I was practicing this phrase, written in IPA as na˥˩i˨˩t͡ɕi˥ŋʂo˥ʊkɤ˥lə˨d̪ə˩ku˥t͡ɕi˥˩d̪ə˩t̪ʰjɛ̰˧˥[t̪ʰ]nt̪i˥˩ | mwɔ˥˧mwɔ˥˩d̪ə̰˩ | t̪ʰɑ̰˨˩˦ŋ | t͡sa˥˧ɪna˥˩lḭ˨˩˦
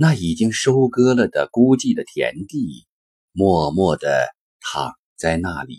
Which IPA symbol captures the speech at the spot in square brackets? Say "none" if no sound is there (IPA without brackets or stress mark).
none